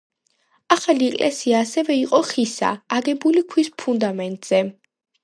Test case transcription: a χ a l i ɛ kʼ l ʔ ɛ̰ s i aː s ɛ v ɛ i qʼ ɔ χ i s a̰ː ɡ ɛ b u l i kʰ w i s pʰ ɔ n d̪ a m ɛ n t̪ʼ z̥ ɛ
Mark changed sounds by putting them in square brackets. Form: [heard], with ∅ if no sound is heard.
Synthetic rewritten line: a χ a l i ɛ kʼ l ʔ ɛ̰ s i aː s ɛ v ɛ i qʼ ɔ χ i s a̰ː ɡ ɛ b u l i kʰ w i s pʰ [u] n d̪ a m ɛ n t̪ʼ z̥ ɛ